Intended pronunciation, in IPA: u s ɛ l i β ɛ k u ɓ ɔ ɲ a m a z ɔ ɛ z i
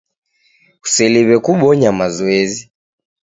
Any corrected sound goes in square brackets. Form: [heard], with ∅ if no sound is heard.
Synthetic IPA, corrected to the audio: u s ɛ l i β ɛ k u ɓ ɔ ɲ a m a z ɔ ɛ z i